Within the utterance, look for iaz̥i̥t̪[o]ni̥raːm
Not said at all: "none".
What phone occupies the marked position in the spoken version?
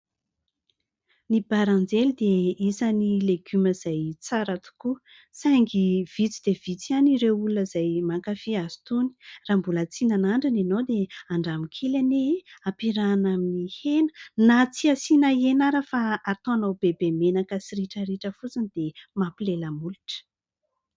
u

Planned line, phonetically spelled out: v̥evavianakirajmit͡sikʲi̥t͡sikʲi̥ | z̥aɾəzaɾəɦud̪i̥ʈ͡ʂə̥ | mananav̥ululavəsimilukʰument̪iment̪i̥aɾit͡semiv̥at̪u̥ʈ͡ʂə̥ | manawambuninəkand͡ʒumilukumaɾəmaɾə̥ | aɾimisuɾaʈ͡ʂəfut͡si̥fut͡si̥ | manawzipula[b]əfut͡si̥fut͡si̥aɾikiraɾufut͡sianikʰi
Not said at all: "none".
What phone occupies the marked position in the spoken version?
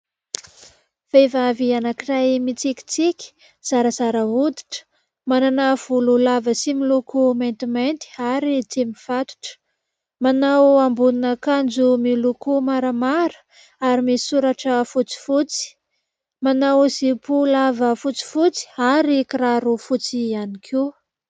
v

